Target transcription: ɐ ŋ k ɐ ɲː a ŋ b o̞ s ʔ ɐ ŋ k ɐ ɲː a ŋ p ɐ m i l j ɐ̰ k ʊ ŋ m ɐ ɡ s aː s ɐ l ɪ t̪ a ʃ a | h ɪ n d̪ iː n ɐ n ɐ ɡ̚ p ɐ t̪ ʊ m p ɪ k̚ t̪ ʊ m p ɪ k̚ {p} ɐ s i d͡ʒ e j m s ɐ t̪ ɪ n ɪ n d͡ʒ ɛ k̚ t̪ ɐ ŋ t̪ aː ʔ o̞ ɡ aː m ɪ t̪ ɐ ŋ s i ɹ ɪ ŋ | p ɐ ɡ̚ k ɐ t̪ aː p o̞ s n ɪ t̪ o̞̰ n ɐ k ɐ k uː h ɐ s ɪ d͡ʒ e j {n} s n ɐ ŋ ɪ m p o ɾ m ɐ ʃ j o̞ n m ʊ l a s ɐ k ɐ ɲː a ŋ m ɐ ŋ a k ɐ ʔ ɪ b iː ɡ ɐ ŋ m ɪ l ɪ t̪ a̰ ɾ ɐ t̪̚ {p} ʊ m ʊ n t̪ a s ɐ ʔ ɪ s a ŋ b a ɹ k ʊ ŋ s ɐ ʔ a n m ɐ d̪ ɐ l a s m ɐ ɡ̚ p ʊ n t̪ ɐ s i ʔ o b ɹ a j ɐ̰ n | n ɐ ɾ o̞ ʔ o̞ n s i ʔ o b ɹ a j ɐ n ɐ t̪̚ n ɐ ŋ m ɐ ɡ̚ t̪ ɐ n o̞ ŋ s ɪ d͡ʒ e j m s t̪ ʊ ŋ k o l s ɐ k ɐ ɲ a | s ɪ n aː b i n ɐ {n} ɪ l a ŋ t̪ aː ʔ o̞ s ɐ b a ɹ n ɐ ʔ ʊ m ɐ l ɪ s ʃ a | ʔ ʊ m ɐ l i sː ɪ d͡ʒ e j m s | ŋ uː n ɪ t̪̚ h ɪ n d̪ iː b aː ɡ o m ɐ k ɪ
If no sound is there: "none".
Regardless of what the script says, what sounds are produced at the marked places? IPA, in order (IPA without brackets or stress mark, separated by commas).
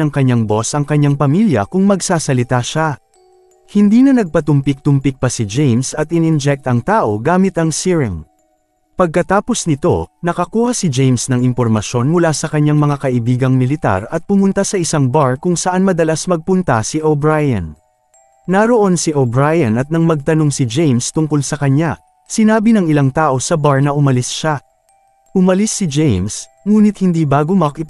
p, m, p, ŋ